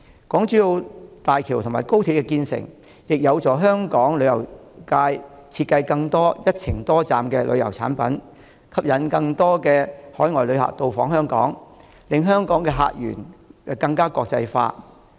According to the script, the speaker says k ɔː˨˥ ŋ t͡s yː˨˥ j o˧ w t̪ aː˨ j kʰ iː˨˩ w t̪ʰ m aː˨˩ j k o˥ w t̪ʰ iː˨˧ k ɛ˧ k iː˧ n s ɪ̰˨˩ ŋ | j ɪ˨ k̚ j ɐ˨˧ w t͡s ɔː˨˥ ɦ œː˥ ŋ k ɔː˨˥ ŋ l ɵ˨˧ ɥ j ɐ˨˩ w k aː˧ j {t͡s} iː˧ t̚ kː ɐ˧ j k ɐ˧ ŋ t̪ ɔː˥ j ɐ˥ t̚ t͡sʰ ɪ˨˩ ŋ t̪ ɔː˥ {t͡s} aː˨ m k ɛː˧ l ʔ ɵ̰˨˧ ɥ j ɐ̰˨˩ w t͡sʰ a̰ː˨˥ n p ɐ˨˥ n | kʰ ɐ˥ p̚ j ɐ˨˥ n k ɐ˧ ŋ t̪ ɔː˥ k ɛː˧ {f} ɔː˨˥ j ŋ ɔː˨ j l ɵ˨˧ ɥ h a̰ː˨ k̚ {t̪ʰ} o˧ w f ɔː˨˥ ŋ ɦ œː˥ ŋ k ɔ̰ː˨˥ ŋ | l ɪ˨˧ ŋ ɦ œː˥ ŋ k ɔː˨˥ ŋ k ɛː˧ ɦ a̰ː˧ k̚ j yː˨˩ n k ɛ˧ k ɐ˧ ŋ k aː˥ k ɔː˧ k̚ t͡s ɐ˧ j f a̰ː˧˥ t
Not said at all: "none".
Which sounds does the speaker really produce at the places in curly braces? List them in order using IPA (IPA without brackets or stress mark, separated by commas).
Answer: t͡sʰ, t͡s, h, t̪